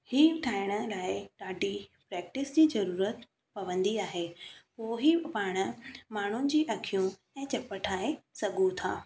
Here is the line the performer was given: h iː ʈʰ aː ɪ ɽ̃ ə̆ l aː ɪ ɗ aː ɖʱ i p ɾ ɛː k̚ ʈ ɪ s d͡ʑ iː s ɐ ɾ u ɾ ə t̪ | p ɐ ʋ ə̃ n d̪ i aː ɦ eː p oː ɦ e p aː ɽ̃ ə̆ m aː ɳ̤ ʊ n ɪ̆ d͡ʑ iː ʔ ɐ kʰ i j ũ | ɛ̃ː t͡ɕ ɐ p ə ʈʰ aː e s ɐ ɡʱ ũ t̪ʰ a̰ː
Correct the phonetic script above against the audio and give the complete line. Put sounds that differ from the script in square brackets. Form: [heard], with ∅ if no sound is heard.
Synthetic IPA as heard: h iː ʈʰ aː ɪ ɽ̃ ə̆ l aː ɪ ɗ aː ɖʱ i p ɾ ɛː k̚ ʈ ɪ s d͡ʑ iː [z] ɐ ɾ [uː] ɾ ə t̪ | p ɐ ʋ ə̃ n d̪ i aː ɦ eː p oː ɦ [i] p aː ɽ̃ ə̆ m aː ɳ̤ ʊ n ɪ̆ d͡ʑ iː ʔ ɐ kʰ i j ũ | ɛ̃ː t͡ɕ ɐ p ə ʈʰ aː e s ɐ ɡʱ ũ t̪ʰ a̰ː